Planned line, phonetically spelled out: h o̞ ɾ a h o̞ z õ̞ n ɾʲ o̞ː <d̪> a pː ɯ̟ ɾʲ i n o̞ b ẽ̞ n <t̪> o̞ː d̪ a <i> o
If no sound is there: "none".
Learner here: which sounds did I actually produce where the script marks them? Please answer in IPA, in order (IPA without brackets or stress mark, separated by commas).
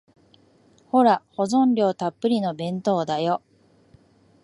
t̪, t̪, j